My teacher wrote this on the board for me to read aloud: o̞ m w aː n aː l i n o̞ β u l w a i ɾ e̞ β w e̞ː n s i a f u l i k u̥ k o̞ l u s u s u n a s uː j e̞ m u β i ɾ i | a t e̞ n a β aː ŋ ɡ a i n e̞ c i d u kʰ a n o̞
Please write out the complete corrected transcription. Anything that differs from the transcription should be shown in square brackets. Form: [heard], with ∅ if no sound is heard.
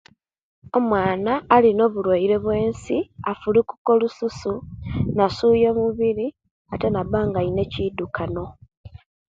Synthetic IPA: o̞ m w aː n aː l i n o̞ β u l w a i ɾ e̞ β w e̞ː n s i a f u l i k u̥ k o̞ l u s u s u n a s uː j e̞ m u β i ɾ i | a t e̞ n a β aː ŋ ɡ a i n e̞ c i d u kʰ a n o̞